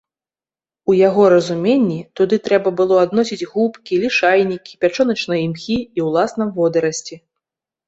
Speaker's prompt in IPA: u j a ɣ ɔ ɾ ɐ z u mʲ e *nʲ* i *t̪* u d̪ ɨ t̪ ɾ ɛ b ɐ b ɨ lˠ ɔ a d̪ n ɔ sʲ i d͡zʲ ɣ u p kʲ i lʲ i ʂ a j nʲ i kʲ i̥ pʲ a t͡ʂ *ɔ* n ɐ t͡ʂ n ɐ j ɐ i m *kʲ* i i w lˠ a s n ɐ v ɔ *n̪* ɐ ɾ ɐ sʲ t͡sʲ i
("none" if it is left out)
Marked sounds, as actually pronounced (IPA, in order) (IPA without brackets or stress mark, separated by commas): nʲː, t̪, ɔ, xʲ, d̪